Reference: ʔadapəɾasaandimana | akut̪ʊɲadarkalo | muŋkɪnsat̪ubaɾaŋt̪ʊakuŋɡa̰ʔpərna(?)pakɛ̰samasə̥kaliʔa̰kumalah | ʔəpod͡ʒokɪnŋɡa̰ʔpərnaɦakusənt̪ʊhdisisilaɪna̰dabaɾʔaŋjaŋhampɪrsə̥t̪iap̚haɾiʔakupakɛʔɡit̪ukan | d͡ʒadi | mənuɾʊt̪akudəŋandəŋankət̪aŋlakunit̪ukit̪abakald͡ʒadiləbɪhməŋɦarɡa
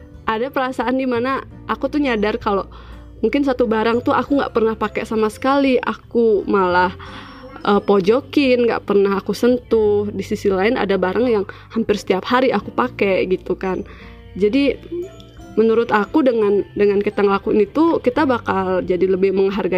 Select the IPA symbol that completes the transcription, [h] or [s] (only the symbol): h